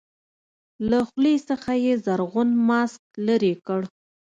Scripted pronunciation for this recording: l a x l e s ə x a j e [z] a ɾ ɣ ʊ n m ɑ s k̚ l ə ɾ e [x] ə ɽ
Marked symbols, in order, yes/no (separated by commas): yes, no